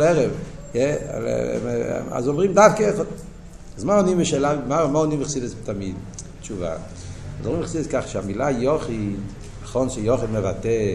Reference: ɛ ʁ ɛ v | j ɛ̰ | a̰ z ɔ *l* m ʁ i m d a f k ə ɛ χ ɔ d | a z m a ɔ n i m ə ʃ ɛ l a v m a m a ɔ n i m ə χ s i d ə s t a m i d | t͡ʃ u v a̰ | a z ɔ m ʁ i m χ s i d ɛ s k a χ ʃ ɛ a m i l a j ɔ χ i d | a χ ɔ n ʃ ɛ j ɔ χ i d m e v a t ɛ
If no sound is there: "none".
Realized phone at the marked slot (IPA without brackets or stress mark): none